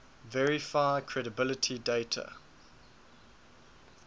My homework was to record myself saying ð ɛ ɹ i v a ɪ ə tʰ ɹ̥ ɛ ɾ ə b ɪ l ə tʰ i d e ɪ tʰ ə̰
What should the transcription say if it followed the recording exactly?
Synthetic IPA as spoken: v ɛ ɹ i f a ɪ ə kʰ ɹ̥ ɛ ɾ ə b ɪ l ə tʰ i d e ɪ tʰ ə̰